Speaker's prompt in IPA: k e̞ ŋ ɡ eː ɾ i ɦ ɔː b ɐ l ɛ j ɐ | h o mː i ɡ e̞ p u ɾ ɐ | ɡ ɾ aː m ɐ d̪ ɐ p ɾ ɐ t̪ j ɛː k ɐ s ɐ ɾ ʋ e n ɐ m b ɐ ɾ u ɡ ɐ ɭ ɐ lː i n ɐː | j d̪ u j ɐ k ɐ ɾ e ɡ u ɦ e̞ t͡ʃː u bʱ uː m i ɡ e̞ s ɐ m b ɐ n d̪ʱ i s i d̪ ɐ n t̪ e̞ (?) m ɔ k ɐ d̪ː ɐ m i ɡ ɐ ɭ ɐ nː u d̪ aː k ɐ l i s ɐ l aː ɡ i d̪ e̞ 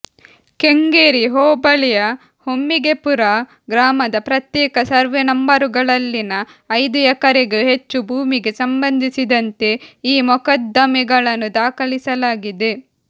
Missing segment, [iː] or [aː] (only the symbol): iː